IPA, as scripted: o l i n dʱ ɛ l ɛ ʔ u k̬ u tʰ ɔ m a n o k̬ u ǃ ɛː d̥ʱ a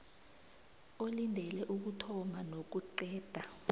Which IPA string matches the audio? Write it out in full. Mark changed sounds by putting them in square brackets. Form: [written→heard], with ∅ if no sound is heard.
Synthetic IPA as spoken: o l i n dʱ ɛ l ɛ ʔ u k̬ u tʰ ɔ m a n o k̬ u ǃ ɛː d̥ʱ a